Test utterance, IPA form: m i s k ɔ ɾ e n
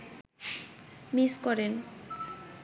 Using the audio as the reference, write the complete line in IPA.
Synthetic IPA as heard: m i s k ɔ ɾ e n

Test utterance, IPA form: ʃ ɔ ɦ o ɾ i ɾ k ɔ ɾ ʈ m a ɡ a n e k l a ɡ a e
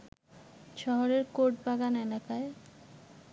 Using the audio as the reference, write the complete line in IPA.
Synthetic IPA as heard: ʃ ɔ ɦ o ɾ e ɾ k o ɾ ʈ b a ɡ a n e l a k a e

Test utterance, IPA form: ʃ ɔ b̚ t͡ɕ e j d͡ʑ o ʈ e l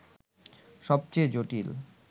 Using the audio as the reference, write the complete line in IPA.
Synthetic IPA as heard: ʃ ɔ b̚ t͡ɕ e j d͡ʑ o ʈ i l

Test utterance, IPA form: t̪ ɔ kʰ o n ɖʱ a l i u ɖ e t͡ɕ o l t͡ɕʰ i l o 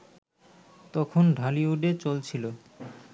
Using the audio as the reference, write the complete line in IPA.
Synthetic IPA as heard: t̪ ɔ kʰ o n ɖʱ a l i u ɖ e t͡ɕ o l t͡ɕʰ i l o

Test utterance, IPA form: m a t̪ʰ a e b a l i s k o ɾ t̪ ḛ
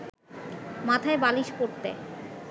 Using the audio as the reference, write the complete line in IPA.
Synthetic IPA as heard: m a t̪ʰ a e b a l i ʃ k o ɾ t̪ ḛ

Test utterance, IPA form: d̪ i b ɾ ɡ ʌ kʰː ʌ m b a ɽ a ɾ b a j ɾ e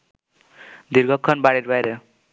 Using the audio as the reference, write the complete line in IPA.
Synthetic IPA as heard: d̪ i ɾ ɡ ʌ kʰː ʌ n b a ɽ i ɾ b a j ɾ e

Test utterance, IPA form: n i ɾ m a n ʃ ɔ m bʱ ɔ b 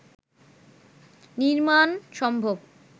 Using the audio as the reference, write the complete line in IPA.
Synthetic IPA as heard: n i ɾ m a n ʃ ɔ m bʱ o b

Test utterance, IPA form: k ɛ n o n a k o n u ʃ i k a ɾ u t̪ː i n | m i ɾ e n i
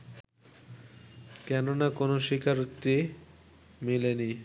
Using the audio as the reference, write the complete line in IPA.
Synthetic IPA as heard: k ɛ n o n a k o n o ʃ i k a ɾ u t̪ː i | m i l e n i

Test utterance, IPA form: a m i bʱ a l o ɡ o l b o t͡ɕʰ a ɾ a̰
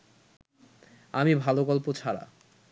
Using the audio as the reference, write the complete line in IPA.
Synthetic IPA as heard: a m i bʱ a l o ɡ ɔ l p o t͡ɕʰ a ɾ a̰

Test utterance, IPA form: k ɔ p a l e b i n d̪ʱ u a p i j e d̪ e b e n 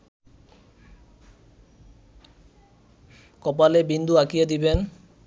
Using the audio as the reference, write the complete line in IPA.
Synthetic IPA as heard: k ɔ p a l e b i n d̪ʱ u a k i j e d̪ i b e n

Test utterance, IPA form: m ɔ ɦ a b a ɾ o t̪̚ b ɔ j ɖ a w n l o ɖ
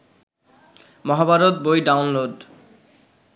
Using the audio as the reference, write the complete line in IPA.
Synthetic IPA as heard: m ɔ ɦ a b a ɾ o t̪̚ b o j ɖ a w n l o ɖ

